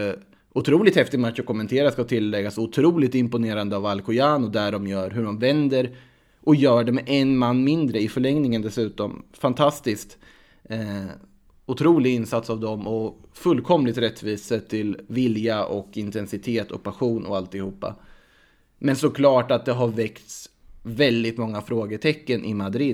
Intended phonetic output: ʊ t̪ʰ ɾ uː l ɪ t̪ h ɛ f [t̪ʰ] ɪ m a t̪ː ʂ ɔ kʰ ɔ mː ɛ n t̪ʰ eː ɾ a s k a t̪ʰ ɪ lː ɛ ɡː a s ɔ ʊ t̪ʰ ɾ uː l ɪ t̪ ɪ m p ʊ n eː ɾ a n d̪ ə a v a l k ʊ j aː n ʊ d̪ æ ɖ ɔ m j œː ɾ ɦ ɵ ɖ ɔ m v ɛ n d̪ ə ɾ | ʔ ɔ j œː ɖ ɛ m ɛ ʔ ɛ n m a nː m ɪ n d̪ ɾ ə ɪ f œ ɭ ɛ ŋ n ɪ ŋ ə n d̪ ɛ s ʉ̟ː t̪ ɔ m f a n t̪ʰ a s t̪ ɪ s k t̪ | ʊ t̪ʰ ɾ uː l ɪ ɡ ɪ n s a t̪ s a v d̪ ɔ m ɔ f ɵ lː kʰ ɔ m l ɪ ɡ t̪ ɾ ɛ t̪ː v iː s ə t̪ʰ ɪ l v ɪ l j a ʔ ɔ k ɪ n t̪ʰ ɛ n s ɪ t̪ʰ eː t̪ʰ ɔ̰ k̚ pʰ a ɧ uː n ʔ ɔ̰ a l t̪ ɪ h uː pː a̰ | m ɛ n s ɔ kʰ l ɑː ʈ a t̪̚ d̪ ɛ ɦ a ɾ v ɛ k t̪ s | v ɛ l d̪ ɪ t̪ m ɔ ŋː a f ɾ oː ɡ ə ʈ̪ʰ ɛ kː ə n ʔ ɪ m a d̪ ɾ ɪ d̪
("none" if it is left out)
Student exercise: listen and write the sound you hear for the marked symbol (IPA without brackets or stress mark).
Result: t̪